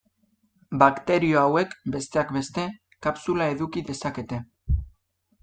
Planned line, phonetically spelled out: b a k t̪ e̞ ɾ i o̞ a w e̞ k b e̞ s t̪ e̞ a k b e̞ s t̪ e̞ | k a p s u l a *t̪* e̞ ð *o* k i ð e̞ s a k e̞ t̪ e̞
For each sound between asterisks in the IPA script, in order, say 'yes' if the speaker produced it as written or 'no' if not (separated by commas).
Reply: no, no